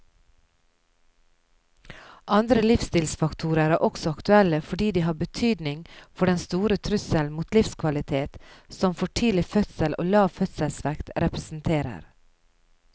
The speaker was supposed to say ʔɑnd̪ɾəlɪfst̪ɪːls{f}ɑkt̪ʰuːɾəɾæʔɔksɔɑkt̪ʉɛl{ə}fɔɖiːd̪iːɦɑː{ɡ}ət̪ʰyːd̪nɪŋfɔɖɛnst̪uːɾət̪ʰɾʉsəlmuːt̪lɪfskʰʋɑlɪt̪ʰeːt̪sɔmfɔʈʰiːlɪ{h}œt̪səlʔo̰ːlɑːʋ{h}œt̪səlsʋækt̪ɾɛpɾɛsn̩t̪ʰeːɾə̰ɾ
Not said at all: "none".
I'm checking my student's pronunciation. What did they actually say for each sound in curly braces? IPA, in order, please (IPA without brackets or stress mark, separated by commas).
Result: f, ə, b, f, f